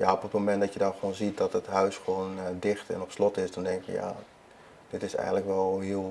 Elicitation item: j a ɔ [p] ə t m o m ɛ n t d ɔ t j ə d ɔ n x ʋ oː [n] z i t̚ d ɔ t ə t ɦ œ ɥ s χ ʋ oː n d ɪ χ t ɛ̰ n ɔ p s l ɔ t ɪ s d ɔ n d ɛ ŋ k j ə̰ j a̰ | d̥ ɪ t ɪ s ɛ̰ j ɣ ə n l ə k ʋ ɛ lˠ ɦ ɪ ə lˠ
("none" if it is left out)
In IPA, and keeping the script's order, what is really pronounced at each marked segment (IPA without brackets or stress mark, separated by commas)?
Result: p, n